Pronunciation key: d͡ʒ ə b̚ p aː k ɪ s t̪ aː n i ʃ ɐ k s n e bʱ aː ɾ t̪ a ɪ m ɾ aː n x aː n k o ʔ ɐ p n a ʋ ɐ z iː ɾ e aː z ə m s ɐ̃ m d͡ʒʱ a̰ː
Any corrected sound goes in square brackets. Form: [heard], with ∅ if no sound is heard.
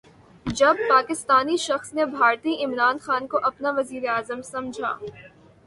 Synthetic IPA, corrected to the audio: d͡ʒ [ɐ] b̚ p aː k ɪ s t̪ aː n i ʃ ɐ [x] s n e bʱ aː ɾ t̪ [i] ɪ m ɾ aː n x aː n k o ʔ ɐ p n a ʋ ɐ z iː ɾ e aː z ə m s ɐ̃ m d͡ʒʱ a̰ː

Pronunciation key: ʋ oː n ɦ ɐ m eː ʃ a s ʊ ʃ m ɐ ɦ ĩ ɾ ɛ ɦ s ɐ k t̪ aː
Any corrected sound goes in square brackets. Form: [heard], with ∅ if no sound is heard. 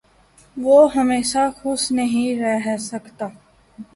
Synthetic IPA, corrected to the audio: ʋ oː [∅] ɦ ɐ m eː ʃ a [x] ʊ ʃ [n] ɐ ɦ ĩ ɾ ɛ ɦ s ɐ k t̪ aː

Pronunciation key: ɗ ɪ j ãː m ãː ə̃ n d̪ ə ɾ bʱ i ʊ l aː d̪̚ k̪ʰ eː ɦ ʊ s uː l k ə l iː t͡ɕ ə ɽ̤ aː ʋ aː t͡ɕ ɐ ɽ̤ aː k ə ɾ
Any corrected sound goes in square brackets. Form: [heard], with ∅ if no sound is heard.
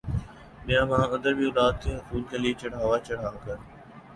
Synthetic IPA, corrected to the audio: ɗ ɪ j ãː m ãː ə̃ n d̪ ə ɾ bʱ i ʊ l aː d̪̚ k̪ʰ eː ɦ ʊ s uː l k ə l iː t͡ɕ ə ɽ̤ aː ʋ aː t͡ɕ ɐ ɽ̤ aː k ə ɾ

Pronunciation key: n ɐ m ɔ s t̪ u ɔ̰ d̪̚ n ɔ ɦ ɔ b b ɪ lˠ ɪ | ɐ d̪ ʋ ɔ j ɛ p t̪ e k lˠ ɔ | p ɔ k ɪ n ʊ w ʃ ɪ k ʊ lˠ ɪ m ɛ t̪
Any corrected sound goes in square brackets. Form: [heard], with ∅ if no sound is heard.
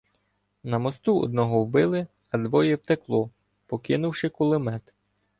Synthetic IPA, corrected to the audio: n ɐ m ɔ s t̪ u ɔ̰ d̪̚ n ɔ ɦ ɔ [w] b ɪ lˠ ɪ | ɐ d̪ ʋ ɔ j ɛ p t̪ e k lˠ ɔ | p ɔ k ɪ n ʊ w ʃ ɪ k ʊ lˠ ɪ m ɛ t̪

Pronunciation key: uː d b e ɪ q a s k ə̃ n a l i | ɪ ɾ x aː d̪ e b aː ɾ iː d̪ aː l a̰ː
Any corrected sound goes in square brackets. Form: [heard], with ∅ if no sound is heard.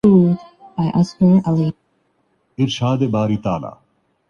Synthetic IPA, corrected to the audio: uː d b [a] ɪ [ʔ] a s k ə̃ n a l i | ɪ ɾ [ʃ] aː d̪ e b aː ɾ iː [t̪] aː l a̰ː

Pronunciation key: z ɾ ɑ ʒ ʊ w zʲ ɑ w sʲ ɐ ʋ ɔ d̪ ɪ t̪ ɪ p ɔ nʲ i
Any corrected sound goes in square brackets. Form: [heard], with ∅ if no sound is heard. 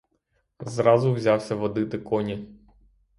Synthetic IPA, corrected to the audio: z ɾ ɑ [z] ʊ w zʲ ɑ w sʲ ɐ ʋ ɔ d̪ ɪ t̪ ɪ [k] ɔ nʲ i

